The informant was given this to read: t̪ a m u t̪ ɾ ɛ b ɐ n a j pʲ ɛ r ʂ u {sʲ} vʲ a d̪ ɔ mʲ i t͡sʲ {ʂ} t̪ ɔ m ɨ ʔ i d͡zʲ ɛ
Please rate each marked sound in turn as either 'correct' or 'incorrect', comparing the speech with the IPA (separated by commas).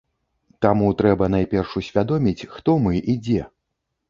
correct, incorrect